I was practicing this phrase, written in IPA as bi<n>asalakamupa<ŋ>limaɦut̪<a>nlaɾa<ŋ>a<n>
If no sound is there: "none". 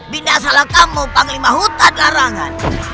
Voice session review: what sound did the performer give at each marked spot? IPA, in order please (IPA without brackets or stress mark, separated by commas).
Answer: n, ŋ, a, ŋ, n